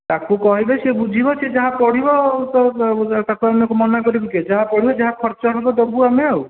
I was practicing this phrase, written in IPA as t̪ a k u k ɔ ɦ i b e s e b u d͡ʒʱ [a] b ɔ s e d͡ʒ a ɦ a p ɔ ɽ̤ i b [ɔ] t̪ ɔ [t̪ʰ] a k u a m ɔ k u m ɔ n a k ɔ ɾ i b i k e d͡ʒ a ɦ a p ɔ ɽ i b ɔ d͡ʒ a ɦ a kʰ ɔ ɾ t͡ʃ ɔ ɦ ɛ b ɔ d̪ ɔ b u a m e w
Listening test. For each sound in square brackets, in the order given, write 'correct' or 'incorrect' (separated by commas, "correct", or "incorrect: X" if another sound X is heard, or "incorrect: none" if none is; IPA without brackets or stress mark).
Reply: incorrect: i, correct, incorrect: t̪